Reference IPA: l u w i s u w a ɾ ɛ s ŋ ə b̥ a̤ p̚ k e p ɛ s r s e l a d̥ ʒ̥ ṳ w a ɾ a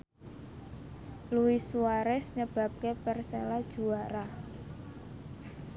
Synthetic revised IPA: l u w i s u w a ɾ ɛ s ɲ ə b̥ a̤ p̚ k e p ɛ r s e l a d̥ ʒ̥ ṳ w a ɾ a